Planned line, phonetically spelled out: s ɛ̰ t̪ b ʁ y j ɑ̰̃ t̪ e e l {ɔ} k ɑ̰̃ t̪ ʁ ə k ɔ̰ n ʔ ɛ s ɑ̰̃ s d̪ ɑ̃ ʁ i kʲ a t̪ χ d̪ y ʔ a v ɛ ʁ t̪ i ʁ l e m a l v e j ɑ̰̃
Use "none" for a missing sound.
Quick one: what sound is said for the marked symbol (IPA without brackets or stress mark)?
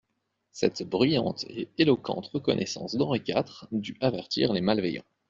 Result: ɔ